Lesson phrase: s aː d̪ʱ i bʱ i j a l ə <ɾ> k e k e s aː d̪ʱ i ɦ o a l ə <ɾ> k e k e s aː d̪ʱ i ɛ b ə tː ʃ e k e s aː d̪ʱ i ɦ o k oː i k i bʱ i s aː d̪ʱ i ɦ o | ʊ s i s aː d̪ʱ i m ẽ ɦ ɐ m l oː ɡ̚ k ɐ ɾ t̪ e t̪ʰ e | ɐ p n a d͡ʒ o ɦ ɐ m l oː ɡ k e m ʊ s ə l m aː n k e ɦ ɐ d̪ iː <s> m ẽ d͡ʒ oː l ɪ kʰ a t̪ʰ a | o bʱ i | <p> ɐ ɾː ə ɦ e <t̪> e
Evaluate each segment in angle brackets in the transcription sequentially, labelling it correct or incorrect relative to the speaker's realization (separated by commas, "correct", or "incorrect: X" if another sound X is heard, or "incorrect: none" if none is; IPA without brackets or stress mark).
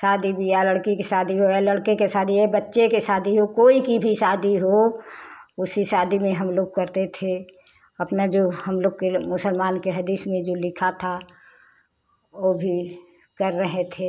incorrect: ɽ, incorrect: ɽ, correct, incorrect: k, incorrect: t̪ʰ